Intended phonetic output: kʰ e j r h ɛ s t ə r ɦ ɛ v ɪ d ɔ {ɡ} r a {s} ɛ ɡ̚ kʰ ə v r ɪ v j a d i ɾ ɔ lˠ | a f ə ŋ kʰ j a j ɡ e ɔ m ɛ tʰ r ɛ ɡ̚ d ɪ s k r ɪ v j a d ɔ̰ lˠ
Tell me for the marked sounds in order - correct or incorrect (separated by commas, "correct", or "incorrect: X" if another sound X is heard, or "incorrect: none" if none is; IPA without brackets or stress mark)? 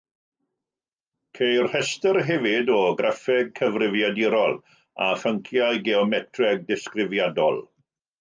correct, incorrect: f